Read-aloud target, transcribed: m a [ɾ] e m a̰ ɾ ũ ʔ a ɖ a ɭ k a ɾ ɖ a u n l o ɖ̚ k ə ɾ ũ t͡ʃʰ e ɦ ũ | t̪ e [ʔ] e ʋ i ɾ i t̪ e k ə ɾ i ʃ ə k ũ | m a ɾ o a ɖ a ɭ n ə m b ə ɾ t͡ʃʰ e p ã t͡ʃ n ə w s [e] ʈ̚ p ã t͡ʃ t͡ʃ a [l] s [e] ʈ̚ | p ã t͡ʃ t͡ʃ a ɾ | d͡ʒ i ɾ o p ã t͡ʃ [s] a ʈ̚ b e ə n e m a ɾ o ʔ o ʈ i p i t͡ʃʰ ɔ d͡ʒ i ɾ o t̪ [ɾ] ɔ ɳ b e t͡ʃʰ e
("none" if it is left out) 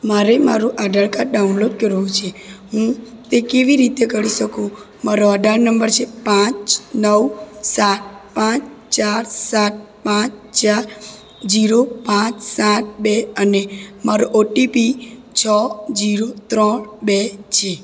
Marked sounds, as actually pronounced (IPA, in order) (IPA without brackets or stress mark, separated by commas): ɾ, k, a, ɾ, a, s, ɾ